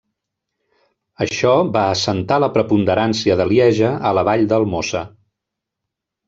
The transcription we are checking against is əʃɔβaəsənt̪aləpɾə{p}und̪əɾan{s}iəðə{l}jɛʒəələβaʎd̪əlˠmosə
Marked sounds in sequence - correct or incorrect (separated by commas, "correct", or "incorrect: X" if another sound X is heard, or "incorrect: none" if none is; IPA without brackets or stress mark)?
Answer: correct, correct, correct